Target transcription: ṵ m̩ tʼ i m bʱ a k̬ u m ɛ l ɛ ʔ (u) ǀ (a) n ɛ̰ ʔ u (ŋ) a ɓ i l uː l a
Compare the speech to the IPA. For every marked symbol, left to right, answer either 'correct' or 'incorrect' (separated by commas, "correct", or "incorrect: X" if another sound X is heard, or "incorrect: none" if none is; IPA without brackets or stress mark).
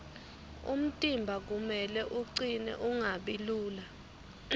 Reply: correct, incorrect: i, correct